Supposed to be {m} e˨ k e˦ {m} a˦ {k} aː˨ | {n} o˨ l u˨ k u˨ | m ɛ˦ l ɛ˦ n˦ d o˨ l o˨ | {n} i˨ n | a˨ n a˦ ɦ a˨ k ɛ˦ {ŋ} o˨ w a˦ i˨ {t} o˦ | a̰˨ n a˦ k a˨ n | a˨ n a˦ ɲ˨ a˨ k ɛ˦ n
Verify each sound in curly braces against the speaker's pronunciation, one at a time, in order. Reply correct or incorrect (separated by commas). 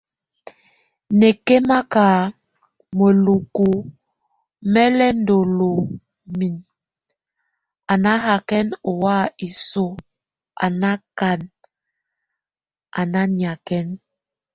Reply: incorrect, correct, correct, incorrect, incorrect, incorrect, incorrect